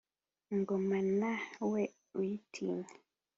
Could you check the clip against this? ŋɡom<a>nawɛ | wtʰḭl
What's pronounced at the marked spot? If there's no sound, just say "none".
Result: a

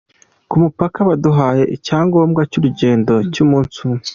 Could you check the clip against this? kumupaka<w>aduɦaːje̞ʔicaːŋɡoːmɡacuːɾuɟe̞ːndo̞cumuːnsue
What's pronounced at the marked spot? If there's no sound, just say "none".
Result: β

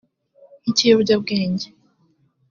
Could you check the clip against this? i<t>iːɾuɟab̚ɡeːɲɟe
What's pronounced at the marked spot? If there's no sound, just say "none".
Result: c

